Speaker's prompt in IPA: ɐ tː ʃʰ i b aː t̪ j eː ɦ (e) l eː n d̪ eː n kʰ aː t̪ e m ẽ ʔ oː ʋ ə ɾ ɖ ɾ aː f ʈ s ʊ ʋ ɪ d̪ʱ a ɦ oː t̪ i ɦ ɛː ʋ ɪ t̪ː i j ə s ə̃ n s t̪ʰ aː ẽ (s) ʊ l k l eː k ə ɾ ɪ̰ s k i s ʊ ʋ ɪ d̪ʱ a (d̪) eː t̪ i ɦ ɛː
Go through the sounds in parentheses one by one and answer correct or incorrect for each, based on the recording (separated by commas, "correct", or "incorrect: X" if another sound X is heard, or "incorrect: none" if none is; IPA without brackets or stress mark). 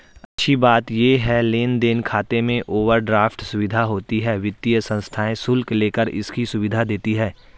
incorrect: ɛ, correct, correct